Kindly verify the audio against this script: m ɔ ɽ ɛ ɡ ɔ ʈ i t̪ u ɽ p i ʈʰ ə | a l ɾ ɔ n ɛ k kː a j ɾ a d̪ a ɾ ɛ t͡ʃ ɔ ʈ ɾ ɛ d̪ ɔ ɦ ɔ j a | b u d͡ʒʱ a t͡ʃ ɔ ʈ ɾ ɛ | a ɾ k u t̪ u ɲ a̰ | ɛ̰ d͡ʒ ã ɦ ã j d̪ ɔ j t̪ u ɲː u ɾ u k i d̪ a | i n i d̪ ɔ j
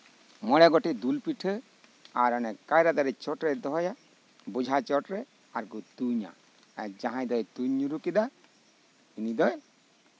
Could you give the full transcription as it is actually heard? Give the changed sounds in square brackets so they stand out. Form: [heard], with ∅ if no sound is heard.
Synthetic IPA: m ɔ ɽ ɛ ɡ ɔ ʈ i [d̪] u [l] p i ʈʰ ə | a [∅] ɾ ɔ n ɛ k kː a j ɾ a d̪ a ɾ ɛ t͡ʃ ɔ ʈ ɾ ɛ d̪ ɔ ɦ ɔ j a | b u d͡ʒʱ a t͡ʃ ɔ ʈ ɾ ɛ | a ɾ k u t̪ u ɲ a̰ | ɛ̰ d͡ʒ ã ɦ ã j d̪ ɔ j t̪ u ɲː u ɾ u k i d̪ a | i n i d̪ ɔ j